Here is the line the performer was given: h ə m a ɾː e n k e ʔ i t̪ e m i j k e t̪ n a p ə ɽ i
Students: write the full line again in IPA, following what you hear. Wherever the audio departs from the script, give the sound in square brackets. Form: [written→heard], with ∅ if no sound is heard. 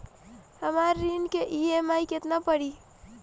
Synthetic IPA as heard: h ə m a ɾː [e→i] n k e ʔ i [t̪→∅] e m [i→a] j k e t̪ n a p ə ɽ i